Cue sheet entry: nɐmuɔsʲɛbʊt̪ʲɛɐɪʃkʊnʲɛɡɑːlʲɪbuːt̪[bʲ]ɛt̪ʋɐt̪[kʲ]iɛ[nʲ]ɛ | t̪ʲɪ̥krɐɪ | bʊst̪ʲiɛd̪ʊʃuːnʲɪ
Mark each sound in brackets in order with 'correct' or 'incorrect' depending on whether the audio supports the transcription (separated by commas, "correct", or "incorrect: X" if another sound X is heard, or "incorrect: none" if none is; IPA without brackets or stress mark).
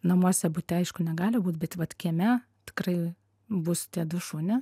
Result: correct, correct, incorrect: mʲ